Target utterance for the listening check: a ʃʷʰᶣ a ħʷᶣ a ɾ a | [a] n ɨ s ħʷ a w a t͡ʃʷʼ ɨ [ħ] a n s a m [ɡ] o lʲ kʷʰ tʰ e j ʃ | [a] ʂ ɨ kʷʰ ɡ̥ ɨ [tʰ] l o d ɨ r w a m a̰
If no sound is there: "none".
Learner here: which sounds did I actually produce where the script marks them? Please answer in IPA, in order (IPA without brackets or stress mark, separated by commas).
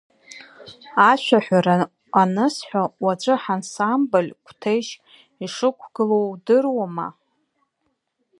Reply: a, ħ, b, i, none